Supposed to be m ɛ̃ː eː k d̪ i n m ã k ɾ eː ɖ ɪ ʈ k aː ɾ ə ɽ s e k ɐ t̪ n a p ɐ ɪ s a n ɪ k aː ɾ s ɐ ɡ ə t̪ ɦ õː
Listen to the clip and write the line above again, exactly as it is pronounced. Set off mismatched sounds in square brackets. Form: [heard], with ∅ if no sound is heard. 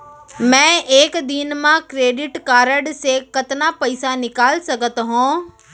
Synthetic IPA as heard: m ɛ̃ː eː k d̪ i n m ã k ɾ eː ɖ ɪ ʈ k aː ɾ ə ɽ s e k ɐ t̪ n a p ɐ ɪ s a n ɪ k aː [l] s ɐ ɡ ə t̪ ɦ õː